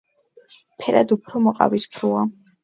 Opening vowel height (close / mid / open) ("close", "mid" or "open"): mid